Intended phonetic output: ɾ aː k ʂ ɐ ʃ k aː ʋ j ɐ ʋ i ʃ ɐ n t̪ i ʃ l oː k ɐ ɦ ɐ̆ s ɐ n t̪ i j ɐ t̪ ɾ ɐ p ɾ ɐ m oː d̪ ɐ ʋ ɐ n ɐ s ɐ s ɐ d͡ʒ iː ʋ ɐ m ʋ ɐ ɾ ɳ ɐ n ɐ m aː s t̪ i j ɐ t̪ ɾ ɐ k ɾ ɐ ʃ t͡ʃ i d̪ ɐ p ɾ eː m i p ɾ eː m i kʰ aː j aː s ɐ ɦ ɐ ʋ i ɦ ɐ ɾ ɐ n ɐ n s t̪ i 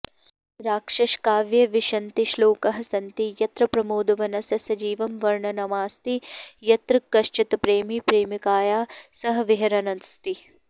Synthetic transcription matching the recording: ɾ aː k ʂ ɐ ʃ k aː ʋ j ɐ ʋ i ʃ ɐ n t̪ i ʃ l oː k ɐ ɦ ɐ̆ s ɐ n t̪ i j ɐ t̪ ɾ ɐ p ɾ ɐ m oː d̪ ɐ ʋ ɐ n ɐ s ɐ s ɐ d͡ʒ iː ʋ ɐ m ʋ ɐ ɾ ɳ ɐ n ɐ m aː s t̪ i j ɐ t̪ ɾ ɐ k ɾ ɐ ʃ t͡ʃ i t̪ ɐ p ɾ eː m i p ɾ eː m i k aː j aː s ɐ ɦ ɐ ʋ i ɦ ɐ ɾ ɐ n ɐ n s t̪ i

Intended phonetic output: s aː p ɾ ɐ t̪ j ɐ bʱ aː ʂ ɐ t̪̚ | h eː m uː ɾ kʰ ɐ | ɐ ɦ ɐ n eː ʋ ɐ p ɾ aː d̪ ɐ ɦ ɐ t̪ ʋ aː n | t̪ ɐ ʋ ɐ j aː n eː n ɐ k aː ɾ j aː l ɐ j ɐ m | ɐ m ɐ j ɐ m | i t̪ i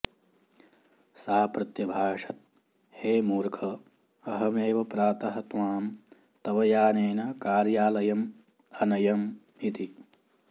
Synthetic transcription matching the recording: s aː p ɾ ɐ t̪ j ɐ bʱ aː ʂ ɐ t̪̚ | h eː m uː ɾ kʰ ɐ | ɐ ɦ ɐ m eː ʋ ɐ p ɾ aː t̪ ɐ ɦ ɐ t̪ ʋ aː m | t̪ ɐ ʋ ɐ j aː n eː n ɐ k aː ɾ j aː l ɐ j ɐ m | ɐ n ɐ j ɐ m | i t̪ i

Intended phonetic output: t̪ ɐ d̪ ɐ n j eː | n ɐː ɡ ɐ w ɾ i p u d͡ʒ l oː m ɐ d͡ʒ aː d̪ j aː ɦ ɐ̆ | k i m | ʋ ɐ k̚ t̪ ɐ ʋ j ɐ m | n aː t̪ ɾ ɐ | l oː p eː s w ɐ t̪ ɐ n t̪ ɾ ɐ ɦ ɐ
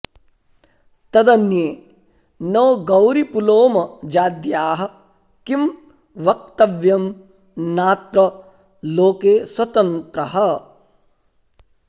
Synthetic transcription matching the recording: t̪ ɐ d̪ ɐ n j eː | n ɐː ɡ ɐ w ɾ i p u l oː m ɐ d͡ʒ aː d̪ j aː ɦ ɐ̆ | k i m | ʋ ɐ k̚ t̪ ɐ ʋ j ɐ m | n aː t̪ ɾ ɐ | l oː k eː s w ɐ t̪ ɐ n t̪ ɾ ɐ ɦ ɐ

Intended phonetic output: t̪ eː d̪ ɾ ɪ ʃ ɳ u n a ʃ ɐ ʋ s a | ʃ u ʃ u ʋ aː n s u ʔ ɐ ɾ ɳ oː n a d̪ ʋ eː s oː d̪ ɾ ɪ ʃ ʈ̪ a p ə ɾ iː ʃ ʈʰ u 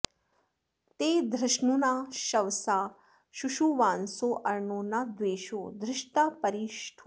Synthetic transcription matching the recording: t̪ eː d̪ ɾ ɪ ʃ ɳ u n a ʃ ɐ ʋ s a | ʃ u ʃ u ʋ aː n s o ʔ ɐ ɾ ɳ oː n a d̪ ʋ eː ʃ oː d̪ ɾ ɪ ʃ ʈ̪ a p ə ɾ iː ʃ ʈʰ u

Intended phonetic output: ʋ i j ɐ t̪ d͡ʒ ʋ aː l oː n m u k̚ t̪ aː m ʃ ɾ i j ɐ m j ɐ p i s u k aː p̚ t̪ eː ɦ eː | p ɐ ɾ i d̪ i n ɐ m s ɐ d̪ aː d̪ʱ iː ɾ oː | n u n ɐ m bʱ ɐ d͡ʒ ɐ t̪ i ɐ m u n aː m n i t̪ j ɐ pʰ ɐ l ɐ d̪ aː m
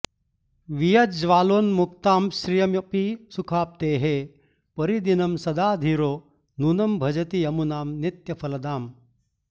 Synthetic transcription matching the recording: ʋ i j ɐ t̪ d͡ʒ ʋ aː l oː n m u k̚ t̪ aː m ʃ ɾ i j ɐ m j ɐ p i s u kʰ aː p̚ t̪ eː ɦ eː | p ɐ ɾ i d̪ i n ɐ m s ɐ d̪ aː d̪ʱ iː ɾ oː | n u n ɐ m bʱ ɐ d͡ʒ ɐ t̪ i ɐ m u n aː m n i t̪ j ɐ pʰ ɐ l ɐ d̪ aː m

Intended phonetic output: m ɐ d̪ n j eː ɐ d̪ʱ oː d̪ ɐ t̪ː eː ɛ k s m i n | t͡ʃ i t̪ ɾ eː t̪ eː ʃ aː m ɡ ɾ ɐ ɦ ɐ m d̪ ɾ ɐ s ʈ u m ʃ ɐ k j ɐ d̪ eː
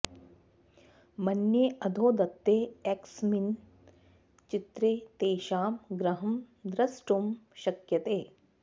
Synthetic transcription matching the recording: m ɐ n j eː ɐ d̪ʱ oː d̪ ɐ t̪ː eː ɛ k s m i n | t͡ʃ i t̪ ɾ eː t̪ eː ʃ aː m ɡ ɾ ɐ ɦ ɐ m d̪ ɾ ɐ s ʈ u m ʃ ɐ k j ɐ t̪ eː

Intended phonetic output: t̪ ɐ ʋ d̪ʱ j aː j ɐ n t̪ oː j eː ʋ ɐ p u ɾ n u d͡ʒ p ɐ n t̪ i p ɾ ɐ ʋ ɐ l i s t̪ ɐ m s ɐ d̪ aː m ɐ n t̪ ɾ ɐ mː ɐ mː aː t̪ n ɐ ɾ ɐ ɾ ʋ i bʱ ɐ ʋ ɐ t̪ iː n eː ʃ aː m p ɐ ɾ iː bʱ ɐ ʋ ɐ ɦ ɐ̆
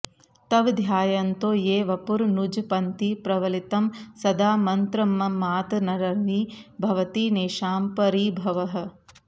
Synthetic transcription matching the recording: t̪ ɐ ʋ d̪ʱ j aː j ɐ n t̪ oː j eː ʋ ɐ p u ɾ n u d͡ʒ p ɐ n t̪ i p ɾ ɐ ʋ ɐ l i t̪ ɐ m s ɐ d̪ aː m ɐ n t̪ ɾ ɐ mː ɐ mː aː t̪ n ɐ ɾ ɐ ɾ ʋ i bʱ ɐ ʋ ɐ t̪ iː n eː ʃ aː m p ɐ ɾ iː bʱ ɐ ʋ ɐ ɦ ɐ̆

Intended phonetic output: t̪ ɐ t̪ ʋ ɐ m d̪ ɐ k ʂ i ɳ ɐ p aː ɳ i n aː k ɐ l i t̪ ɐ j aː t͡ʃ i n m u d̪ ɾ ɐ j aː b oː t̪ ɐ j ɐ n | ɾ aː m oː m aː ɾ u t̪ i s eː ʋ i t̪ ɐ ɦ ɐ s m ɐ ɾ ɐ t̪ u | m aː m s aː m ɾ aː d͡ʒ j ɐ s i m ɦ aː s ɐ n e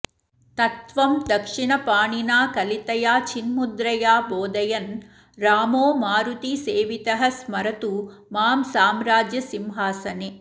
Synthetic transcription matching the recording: t̪ ɐ t̪ ʋ ɐ m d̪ ɐ k ʂ i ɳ ɐ p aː ɳ i n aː k ɐ l i t̪ ɐ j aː t͡ʃ i n m u d̪ ɾ ɐ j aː b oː d̪ ɐ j ɐ n | ɾ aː m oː m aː ɾ u t̪ i s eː ʋ i t̪ ɐ ɦ ɐ s m ɐ ɾ ɐ t̪ u | m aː m s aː m ɾ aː d͡ʒ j ɐ s i m ɦ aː s ɐ n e

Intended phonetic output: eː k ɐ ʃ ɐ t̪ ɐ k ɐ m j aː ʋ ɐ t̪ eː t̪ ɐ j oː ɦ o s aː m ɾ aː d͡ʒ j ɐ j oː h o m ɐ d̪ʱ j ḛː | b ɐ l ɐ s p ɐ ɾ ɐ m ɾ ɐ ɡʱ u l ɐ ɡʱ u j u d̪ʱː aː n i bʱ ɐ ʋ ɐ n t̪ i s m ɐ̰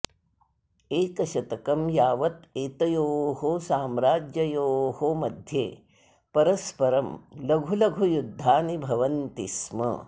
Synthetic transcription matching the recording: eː k ɐ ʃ ɐ t̪ ɐ k ɐ m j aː ʋ ɐ t̪ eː t̪ ɐ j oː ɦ o s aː m ɾ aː d͡ʒ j ɐ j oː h o m ɐ d̪ʱ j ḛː | p ɐ ɾ ɐ s p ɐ ɾ ɐ m l ɐ ɡʱ u l ɐ ɡʱ u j u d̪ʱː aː n i bʱ ɐ ʋ ɐ n t̪ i s m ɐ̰

